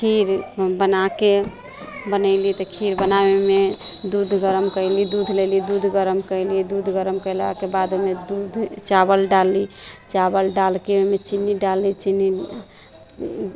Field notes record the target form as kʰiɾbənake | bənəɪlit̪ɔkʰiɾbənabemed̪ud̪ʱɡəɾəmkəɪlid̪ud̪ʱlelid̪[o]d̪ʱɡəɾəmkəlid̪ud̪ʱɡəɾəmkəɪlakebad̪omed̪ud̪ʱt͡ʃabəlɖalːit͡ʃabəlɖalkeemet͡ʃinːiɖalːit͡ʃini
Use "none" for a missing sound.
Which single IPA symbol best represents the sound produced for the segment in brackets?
u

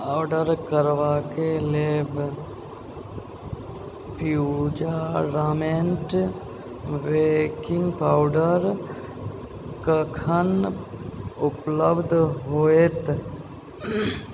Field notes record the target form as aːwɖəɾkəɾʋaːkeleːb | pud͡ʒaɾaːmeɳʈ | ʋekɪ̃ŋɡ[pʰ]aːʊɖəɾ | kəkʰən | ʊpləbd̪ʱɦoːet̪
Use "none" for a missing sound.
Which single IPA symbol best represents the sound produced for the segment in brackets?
p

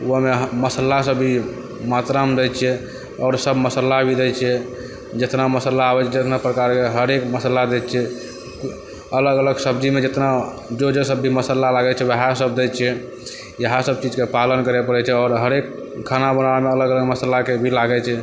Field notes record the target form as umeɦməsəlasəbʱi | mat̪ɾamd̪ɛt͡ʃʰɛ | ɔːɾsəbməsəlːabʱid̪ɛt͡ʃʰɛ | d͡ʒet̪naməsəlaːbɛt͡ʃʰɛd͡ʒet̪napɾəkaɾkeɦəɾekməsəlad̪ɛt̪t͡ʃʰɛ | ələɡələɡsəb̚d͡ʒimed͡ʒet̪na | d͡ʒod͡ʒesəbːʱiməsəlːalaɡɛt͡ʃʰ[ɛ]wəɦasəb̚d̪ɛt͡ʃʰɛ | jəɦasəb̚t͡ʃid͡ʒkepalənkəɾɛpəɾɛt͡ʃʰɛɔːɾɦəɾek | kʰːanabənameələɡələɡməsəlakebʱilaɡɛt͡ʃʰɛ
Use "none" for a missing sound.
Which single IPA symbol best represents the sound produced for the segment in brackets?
ɛ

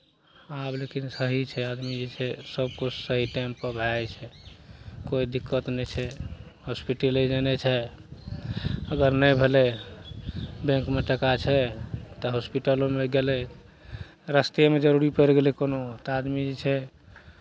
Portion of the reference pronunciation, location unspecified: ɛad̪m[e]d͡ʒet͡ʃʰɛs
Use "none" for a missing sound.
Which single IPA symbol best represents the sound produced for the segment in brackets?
i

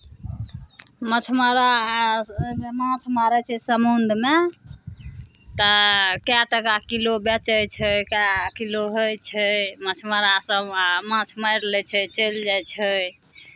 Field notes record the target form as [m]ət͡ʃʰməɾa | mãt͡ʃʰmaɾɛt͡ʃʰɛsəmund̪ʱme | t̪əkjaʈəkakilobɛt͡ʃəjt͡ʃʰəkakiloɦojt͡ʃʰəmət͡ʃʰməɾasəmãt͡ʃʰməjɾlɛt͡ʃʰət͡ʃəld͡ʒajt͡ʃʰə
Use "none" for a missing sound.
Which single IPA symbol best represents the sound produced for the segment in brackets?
m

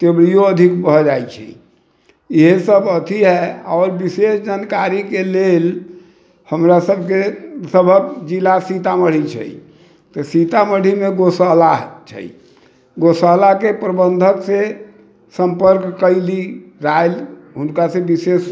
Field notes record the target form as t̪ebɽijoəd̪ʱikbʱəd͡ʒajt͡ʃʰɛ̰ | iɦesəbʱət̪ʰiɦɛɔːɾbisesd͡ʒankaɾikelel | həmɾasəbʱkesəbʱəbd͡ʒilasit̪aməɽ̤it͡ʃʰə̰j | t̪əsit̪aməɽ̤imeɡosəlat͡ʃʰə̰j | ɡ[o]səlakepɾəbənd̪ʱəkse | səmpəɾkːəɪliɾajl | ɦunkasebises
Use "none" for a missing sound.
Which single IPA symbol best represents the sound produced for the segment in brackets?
o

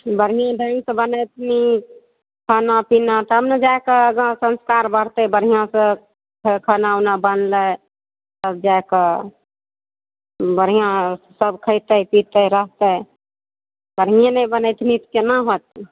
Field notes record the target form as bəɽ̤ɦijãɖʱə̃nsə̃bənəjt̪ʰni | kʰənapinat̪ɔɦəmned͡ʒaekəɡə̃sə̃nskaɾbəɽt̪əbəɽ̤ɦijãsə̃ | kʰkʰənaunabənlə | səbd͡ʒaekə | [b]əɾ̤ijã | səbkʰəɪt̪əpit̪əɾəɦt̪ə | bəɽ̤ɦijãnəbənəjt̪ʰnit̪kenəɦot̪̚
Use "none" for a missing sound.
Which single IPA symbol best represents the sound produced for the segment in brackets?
b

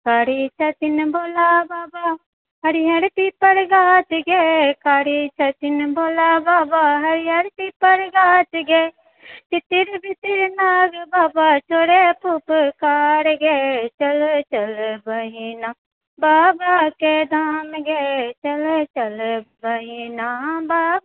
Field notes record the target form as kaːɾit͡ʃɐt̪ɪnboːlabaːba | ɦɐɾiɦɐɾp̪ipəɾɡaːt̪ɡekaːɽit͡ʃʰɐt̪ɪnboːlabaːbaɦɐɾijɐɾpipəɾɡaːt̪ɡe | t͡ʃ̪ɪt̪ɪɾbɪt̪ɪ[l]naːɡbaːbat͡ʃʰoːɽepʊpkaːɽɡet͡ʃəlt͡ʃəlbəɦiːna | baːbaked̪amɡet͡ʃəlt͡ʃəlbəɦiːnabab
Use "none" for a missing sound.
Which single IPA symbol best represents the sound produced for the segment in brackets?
ɾ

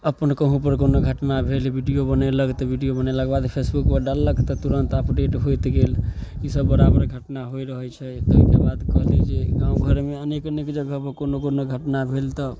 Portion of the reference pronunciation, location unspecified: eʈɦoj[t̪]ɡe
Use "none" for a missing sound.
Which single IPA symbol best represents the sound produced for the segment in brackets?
t̪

